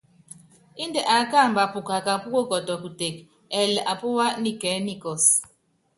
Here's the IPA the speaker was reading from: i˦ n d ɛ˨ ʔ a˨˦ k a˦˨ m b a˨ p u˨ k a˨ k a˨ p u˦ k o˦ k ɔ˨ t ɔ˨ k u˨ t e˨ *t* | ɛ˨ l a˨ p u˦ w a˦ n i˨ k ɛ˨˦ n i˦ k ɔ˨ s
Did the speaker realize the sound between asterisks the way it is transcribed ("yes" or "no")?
no